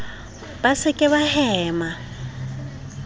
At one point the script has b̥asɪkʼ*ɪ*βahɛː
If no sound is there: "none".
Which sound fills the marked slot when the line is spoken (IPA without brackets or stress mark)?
ɪ